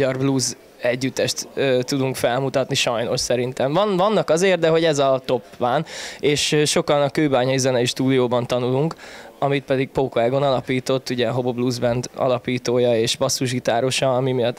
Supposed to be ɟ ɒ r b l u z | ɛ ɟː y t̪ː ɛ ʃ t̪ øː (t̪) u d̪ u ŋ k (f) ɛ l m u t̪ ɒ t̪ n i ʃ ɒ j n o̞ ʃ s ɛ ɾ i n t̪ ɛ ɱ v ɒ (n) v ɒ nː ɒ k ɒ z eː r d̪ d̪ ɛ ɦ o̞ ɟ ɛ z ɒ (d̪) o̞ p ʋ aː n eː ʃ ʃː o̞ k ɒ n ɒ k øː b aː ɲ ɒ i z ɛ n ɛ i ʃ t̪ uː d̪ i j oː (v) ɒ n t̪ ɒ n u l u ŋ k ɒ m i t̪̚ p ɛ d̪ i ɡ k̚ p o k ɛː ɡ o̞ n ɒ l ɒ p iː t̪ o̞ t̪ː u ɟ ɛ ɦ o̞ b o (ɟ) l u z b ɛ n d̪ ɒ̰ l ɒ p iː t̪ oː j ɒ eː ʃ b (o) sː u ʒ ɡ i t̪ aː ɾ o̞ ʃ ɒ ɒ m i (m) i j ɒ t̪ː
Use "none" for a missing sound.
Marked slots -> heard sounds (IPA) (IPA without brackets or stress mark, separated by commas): t̪, f, n, t̪, b, b, ɒ, m